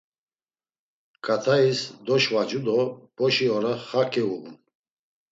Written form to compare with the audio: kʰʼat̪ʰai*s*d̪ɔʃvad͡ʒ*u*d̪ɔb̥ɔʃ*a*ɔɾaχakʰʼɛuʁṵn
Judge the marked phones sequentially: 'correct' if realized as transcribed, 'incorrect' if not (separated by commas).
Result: correct, correct, incorrect